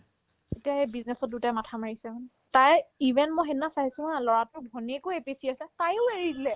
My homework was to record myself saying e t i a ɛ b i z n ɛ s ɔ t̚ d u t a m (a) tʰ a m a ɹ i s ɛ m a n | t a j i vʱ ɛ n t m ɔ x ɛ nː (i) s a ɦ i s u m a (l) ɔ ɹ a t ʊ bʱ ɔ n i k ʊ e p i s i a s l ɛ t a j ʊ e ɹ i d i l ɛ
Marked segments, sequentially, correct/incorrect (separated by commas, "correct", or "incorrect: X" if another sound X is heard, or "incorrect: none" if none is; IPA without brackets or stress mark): correct, incorrect: a, correct